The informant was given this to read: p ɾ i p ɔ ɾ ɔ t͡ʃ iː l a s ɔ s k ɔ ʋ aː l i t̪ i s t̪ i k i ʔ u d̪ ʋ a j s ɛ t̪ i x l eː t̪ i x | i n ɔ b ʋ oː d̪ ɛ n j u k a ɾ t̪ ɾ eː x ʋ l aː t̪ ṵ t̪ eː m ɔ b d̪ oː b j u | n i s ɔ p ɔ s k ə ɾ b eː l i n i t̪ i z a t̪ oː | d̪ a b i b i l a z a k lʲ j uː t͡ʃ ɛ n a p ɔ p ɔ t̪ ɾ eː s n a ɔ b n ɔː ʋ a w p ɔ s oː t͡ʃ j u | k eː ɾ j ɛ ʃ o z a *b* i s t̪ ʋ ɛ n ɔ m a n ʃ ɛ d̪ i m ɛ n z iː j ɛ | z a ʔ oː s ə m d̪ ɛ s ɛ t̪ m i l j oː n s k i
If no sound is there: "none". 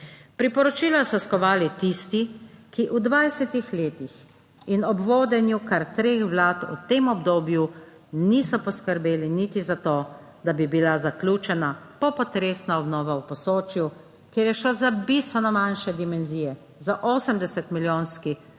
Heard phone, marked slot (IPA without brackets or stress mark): b